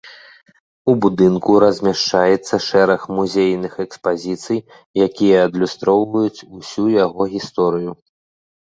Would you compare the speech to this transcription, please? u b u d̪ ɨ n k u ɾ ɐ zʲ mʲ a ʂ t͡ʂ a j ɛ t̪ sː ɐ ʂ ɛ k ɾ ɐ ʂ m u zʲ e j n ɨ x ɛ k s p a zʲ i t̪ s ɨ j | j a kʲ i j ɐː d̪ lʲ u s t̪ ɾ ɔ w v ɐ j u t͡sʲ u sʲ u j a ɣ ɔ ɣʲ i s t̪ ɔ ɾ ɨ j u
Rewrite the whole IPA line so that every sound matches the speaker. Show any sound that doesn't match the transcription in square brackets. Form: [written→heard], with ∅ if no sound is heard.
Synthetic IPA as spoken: u b u d̪ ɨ n k u ɾ ɐ zʲ mʲ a ʂ t͡ʂ a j ɛ t̪ sː ɐ ʂ ɛ [k→∅] ɾ ɐ [ʂ→x] m u zʲ e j n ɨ x ɛ k s p a zʲ i t̪ s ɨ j | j a kʲ i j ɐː d̪ lʲ u s t̪ ɾ ɔ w v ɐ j u t͡sʲ u sʲ u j a ɣ ɔ ɣʲ i s t̪ ɔ ɾ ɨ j u